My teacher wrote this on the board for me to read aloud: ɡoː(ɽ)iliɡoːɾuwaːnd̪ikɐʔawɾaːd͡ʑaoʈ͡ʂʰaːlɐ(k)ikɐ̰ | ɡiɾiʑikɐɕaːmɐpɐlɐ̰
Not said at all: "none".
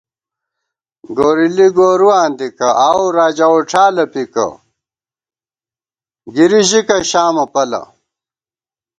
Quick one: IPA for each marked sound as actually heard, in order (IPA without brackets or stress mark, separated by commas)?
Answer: ɾ, p